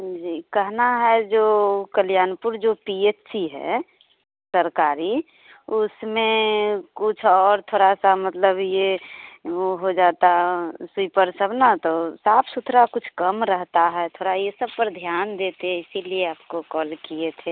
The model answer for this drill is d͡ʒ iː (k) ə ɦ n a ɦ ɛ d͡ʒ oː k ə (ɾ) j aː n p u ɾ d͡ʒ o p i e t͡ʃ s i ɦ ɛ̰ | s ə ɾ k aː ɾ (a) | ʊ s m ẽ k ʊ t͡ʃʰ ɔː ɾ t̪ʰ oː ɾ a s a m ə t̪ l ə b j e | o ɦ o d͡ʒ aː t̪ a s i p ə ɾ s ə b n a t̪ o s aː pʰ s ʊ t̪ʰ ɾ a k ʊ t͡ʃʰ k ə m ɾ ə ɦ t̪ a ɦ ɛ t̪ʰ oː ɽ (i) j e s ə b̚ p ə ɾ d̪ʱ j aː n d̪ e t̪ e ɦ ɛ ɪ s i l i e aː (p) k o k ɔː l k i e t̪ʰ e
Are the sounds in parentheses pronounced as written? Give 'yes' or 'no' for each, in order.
yes, no, no, no, yes

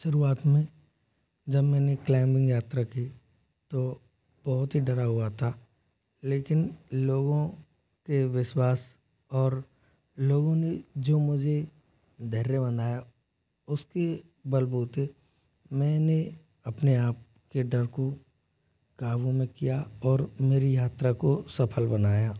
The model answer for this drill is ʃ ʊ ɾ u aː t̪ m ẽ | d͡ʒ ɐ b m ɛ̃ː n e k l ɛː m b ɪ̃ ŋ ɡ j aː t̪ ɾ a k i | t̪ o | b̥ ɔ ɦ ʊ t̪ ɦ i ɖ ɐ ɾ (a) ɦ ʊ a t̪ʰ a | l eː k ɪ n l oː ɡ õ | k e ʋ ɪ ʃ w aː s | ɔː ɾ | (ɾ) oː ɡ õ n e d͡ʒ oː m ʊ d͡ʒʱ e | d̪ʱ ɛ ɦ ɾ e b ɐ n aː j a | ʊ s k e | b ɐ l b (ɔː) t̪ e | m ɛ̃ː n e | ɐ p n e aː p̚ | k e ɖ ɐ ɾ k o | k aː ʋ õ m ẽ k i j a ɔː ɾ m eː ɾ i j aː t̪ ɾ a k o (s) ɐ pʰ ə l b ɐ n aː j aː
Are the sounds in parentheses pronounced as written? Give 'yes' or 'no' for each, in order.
yes, no, no, yes

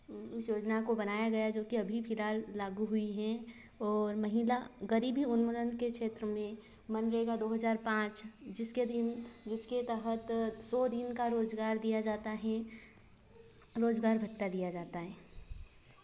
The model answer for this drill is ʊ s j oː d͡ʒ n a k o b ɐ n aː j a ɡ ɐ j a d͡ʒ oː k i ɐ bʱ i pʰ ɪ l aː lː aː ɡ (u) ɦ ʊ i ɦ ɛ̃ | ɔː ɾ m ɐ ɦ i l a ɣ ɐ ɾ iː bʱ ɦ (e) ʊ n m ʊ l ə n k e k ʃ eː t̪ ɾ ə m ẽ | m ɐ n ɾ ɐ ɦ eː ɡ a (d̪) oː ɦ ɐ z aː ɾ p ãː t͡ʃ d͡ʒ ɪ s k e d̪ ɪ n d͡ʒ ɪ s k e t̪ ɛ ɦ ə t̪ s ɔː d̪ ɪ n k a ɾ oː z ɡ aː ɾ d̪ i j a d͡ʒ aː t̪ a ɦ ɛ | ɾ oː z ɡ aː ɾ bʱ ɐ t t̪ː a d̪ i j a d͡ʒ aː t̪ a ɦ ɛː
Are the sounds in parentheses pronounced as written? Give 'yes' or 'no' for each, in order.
yes, no, yes

